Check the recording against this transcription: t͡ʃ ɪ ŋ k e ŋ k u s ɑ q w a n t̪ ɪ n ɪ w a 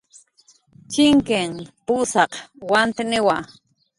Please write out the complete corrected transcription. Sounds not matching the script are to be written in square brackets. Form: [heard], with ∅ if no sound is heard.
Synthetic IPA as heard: t͡ʃ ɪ ŋ k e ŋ [p] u s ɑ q w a n t̪ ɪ n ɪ w a